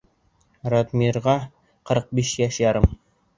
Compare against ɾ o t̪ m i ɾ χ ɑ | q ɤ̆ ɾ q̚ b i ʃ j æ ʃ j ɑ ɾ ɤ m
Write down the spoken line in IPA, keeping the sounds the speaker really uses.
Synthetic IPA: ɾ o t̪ m i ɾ ʁ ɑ | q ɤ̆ ɾ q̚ b i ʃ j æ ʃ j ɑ ɾ ɤ m